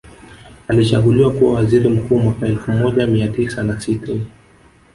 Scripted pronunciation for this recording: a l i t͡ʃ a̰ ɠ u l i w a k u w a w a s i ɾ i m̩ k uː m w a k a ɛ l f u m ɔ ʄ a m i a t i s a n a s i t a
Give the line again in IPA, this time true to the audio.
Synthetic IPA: a l i t͡ʃ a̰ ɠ u l i w a k u w a w a z i ɾ i m̩ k uː m w a k a ɛ l f u m ɔ ʄ a m i a t i s a n a s i t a